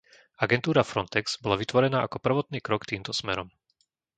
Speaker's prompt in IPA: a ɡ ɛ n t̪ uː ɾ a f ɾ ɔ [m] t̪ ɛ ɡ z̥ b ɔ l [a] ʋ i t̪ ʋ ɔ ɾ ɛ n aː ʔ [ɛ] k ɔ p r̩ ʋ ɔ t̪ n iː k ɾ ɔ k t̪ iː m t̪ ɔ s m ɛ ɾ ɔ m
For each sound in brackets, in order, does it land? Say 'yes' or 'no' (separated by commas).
no, yes, no